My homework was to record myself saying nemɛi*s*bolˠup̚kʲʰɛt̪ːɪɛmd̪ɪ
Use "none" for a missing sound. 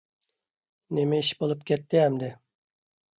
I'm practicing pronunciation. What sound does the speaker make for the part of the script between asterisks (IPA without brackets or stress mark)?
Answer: ʃ